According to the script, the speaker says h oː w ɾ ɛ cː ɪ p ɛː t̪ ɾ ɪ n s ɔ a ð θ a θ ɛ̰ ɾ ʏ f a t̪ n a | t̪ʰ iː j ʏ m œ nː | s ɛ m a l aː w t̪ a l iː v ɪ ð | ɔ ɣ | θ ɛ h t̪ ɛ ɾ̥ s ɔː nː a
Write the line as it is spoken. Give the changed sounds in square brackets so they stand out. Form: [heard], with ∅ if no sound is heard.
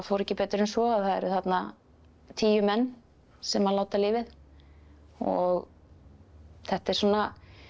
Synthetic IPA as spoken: [f] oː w ɾ ɛ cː ɪ p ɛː t̪ ɾ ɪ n s ɔ a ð θ a [ð] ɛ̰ ɾ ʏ [θ] a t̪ n a | t̪ʰ iː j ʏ m [ɛ] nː | s ɛ m a l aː w t̪ a l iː v ɪ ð | ɔ ɣ | θ ɛ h t̪ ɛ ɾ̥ s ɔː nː a